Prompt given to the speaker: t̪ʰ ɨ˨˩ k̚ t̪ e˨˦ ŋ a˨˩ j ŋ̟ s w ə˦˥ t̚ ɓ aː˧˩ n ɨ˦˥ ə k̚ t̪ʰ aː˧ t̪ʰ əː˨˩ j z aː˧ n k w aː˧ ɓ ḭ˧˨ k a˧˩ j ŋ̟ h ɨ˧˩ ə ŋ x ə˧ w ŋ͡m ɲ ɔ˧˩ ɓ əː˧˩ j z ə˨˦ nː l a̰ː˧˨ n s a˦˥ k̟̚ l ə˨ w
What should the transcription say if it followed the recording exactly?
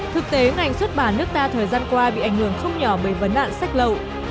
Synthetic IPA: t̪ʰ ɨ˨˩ k̚ t̪ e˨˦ ŋ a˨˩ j ŋ̟ s w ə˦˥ t̚ ɓ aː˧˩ n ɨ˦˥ ə k̚ t̪ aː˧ t̪ʰ əː˨˩ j z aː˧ n k w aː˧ ɓ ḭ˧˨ ʔ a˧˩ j ŋ̟ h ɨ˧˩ ə ŋ x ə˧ w ŋ͡m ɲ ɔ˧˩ ɓ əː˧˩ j v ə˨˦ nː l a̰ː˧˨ n s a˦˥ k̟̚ l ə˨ w